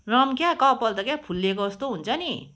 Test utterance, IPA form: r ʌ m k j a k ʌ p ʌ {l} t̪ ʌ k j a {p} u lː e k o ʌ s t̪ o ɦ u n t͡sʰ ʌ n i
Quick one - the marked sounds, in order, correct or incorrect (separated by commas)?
correct, incorrect